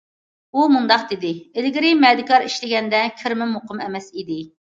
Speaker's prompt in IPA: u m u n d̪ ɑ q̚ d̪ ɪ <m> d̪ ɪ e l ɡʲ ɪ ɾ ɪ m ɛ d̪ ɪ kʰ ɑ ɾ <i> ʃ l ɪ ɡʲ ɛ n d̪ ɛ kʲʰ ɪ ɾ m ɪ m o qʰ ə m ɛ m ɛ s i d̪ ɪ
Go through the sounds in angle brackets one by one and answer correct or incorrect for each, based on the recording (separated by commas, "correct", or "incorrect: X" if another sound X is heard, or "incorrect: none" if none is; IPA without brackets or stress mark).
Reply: incorrect: none, correct